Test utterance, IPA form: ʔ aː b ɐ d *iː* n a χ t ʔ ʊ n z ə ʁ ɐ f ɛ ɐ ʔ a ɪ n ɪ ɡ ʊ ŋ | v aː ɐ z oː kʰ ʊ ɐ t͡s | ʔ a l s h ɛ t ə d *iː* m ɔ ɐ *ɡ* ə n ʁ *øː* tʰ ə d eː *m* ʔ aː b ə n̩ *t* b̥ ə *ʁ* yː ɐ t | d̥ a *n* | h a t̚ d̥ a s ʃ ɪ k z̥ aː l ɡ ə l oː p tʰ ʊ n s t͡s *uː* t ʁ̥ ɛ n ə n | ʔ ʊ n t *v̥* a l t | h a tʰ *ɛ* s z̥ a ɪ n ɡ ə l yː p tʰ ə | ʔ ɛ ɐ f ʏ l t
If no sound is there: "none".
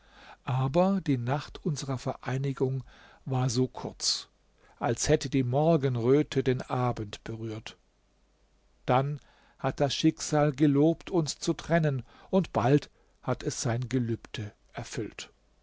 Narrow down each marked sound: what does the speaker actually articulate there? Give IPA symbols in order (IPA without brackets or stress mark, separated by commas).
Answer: iː, iː, ɡ, øː, n, t, ʁ, n, u, b̥, ɛ